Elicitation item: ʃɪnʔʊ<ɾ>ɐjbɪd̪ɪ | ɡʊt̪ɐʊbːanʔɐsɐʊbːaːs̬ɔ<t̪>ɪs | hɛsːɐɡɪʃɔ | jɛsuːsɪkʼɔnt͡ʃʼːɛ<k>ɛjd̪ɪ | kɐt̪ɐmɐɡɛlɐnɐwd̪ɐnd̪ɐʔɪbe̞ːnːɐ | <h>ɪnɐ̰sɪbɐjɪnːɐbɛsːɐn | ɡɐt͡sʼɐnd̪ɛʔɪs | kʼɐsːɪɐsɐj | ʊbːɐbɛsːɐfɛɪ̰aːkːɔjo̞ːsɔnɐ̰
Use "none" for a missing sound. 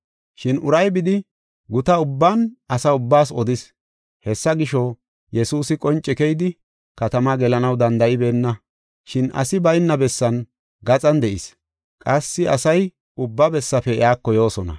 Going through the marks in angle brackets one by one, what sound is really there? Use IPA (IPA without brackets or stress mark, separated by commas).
ɾ, d̪, k, ʃ